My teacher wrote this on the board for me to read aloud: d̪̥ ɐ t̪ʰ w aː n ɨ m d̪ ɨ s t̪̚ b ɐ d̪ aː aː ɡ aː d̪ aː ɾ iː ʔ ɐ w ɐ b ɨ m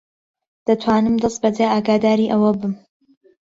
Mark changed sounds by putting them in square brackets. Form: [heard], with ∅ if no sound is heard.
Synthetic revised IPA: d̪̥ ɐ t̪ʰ w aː n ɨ m d̪ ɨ s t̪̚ b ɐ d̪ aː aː ɡ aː d̪ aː ɾ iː ʔ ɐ w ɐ b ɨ m